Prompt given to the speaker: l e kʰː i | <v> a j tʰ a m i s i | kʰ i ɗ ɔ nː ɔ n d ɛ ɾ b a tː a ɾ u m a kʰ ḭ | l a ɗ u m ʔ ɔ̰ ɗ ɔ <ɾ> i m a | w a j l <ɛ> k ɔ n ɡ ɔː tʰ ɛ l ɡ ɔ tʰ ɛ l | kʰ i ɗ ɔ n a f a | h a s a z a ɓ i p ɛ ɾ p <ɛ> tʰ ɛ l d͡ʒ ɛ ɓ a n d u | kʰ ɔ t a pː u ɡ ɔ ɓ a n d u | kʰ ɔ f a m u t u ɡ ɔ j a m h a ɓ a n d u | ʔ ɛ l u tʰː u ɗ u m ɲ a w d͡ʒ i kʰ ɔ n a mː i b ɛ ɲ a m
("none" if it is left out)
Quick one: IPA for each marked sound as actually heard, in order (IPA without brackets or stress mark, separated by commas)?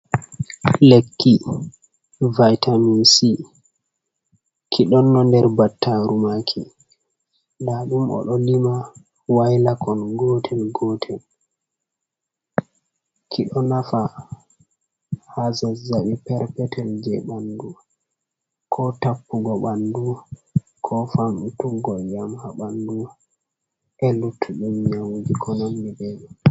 v, l, a, ɛ